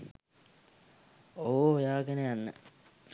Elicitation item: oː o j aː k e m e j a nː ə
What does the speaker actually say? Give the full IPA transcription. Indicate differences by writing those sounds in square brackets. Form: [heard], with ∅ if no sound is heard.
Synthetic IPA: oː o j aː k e [n] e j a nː ə